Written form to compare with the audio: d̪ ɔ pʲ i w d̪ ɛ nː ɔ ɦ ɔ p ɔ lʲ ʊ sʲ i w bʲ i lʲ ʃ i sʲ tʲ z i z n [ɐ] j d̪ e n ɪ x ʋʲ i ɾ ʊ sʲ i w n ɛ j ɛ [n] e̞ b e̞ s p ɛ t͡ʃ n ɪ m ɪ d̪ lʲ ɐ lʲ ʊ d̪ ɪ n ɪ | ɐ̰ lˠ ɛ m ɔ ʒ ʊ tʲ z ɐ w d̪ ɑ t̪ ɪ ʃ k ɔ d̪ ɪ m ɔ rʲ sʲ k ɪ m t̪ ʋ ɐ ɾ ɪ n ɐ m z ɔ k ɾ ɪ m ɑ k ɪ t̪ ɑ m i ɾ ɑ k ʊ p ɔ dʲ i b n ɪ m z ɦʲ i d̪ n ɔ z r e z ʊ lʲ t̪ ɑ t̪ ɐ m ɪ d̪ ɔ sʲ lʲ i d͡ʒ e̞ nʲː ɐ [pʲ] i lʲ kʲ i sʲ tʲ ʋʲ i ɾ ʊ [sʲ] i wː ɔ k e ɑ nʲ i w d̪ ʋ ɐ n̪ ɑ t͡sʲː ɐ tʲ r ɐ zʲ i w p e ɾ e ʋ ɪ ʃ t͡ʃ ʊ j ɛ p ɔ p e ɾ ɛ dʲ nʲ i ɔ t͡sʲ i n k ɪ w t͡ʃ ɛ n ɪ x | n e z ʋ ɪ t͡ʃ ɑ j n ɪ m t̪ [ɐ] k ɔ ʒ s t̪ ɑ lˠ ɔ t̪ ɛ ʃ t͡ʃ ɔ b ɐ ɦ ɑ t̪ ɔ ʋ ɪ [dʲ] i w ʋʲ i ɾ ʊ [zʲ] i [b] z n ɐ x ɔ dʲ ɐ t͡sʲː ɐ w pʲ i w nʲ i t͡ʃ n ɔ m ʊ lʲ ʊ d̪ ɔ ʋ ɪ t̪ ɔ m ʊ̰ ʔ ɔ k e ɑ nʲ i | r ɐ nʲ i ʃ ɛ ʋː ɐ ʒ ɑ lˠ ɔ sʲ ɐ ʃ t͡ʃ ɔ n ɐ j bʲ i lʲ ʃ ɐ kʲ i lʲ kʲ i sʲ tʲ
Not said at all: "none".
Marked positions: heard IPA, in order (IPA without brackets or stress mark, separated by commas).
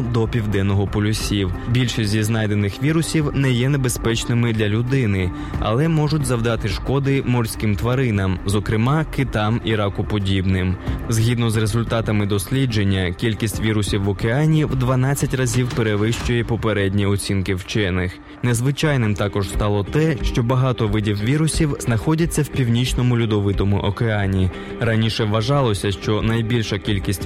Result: ɑ, n, kʲ, sʲ, ɑ, dʲ, sʲ, w